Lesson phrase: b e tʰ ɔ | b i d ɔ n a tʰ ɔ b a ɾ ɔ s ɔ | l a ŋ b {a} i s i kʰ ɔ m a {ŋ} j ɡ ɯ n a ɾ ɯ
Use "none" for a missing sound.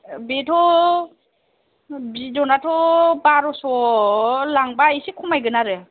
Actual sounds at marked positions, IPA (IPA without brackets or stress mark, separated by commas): a, none